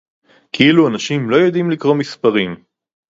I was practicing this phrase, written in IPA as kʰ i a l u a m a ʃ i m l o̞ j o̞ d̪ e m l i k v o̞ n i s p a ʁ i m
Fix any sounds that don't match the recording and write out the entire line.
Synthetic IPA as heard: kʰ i i l u a n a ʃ i m l o̞ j o̞ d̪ i m l i k ʁ o̞ m i s p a ʁ i m